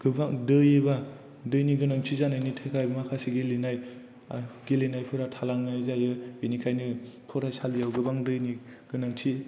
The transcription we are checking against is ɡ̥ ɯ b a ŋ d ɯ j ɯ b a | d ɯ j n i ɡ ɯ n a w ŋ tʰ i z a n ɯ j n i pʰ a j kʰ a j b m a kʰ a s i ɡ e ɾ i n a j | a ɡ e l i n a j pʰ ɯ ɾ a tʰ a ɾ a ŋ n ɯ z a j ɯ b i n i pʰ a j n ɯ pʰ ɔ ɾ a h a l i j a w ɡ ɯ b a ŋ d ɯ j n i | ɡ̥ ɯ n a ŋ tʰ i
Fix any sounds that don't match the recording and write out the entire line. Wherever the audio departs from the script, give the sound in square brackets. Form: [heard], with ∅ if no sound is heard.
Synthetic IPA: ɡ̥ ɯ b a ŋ d ɯ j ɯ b a | d ɯ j n i ɡ ɯ n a [∅] ŋ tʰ i z a n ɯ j n i [tʰ] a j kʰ a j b m a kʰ a s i ɡ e [l] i n a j | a ɡ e l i n a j pʰ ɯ ɾ a tʰ a [l] a ŋ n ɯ z a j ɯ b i n i [kʰ] a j n ɯ pʰ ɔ ɾ a [s] a l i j a w ɡ ɯ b a ŋ d ɯ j n i | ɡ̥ ɯ n a ŋ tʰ i

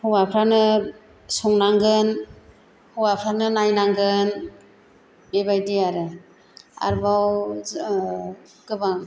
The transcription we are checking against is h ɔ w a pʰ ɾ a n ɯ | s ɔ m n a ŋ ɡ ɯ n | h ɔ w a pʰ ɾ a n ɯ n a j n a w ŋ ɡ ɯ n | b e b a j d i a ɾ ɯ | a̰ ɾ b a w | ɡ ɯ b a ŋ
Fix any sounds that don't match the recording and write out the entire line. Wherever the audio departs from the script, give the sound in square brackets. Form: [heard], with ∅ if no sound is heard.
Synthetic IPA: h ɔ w a pʰ ɾ a n ɯ | s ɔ [ŋ] n a ŋ ɡ ɯ n | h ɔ w a pʰ ɾ a n ɯ n a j n a [∅] ŋ ɡ ɯ n | b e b a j d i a ɾ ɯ | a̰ ɾ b a w | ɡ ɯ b a ŋ

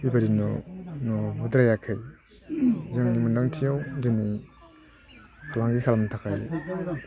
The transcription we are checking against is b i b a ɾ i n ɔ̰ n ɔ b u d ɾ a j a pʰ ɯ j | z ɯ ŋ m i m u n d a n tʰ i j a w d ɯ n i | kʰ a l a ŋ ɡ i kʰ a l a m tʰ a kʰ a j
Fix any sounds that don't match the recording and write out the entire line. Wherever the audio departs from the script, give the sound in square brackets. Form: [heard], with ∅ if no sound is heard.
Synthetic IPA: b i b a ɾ i n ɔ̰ n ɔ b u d ɾ a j a [kʰ] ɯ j | z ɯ ŋ [n] i m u n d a [ŋ] tʰ i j a w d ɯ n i | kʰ a l a ŋ ɡ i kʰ a l a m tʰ a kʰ a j

